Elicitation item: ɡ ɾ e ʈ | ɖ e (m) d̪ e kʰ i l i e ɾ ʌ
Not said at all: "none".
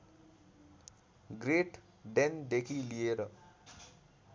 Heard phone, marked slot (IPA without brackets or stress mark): n